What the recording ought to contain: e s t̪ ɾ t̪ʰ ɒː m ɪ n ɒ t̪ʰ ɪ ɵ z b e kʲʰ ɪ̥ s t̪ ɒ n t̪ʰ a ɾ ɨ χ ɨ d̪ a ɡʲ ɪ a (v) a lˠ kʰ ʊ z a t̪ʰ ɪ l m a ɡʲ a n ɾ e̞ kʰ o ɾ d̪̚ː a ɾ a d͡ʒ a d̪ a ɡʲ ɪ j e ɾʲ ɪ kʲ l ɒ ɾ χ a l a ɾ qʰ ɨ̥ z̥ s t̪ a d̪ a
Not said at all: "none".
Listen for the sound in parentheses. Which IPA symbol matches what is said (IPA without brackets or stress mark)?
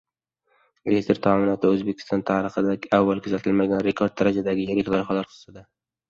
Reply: vː